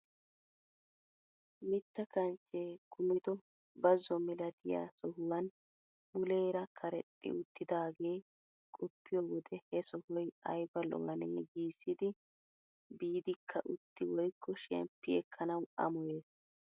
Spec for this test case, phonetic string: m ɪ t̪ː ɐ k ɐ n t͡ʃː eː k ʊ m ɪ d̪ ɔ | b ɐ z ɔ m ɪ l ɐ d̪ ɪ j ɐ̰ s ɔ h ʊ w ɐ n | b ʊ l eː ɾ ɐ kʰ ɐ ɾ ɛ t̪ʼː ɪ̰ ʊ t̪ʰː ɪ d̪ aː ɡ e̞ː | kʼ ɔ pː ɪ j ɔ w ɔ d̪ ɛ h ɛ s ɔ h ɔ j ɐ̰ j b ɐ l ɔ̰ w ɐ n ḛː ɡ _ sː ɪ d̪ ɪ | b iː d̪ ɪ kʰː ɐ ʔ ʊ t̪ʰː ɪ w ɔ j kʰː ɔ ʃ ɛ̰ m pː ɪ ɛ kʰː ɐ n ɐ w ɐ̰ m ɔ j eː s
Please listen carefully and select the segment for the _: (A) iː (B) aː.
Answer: A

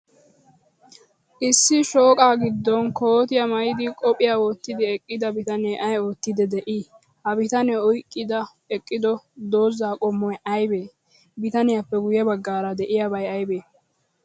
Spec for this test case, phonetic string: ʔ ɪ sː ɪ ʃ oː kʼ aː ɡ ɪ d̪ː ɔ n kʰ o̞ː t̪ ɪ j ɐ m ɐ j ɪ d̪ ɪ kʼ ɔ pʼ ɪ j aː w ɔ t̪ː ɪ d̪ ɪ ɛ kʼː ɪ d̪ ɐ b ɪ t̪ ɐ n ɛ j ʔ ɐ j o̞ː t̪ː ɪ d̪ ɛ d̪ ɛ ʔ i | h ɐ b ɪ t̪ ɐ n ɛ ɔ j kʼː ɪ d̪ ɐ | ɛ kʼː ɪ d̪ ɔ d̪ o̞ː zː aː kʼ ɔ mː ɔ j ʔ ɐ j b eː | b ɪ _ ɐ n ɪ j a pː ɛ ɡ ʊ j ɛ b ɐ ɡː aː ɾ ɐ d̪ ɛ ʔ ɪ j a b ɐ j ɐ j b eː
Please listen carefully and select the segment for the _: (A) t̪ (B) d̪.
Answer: A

